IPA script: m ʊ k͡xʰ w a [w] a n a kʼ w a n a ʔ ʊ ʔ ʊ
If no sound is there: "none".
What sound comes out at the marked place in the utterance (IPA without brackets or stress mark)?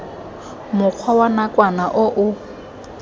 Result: w